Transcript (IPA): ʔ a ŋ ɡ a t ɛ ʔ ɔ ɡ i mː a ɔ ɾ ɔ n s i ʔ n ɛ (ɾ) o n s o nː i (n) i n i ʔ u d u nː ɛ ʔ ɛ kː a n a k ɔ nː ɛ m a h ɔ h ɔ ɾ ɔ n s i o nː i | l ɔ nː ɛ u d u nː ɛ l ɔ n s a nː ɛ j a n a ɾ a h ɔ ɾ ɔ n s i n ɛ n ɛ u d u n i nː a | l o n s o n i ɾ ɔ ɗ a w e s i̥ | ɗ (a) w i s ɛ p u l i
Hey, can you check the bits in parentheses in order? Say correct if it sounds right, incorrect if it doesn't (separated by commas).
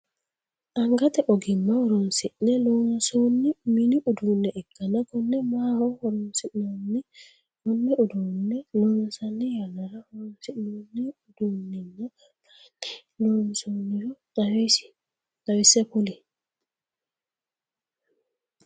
incorrect, incorrect, correct